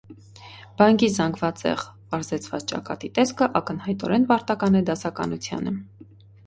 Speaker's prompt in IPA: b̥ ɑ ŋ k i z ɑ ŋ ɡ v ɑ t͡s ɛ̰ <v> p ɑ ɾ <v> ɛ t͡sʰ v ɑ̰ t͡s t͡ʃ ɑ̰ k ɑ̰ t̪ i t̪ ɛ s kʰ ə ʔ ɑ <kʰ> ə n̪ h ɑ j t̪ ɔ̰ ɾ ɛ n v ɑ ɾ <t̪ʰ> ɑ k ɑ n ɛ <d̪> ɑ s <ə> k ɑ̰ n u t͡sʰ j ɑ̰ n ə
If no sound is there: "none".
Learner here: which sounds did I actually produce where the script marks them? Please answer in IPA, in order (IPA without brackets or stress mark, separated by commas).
ʁ, z, k, t̪, d̪, ɑ